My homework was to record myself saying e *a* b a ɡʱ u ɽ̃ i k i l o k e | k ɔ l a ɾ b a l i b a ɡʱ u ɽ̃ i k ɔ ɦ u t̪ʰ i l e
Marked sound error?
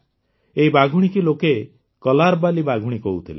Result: yes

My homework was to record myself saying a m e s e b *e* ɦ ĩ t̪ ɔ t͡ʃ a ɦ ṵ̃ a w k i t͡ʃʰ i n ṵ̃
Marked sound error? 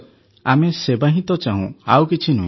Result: yes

